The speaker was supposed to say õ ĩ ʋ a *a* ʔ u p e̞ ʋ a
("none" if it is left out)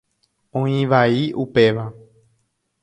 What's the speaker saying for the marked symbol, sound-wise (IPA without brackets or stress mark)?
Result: i